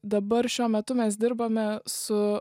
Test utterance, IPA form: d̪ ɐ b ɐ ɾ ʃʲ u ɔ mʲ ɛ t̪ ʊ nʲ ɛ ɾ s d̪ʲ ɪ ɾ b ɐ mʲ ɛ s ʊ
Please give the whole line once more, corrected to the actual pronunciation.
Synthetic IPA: d̪ ɐ b ɐ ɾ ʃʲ u ɔ mʲ ɛ t̪ ʊ mʲ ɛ s d̪ʲ ɪ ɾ b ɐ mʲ ɛ s ʊ